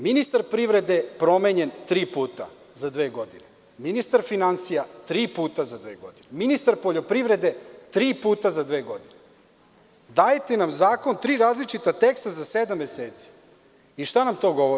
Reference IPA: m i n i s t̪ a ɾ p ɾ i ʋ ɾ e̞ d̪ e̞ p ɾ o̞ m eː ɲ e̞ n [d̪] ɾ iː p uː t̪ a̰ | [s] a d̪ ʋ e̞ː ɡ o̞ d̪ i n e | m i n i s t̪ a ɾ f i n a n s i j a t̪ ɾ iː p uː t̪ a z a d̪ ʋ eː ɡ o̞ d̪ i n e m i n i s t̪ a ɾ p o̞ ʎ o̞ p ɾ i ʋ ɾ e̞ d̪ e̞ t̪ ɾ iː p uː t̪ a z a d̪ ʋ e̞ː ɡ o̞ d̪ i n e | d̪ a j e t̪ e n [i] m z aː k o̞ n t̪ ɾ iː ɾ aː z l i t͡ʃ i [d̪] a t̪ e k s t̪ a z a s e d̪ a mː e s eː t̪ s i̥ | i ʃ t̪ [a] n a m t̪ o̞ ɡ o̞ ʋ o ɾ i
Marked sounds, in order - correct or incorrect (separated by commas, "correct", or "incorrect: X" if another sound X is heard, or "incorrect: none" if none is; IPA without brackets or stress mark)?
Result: incorrect: t̪, incorrect: z, incorrect: a, incorrect: t̪, correct